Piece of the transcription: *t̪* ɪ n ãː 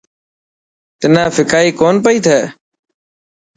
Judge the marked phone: correct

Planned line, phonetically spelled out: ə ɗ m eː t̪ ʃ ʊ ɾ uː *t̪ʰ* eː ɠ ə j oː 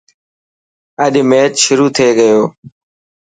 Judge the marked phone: correct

